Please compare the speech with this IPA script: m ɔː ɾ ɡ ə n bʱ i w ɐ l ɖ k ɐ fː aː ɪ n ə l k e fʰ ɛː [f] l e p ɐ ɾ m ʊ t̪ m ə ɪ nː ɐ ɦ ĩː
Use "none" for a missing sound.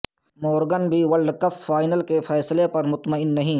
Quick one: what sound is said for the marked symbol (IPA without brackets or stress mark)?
s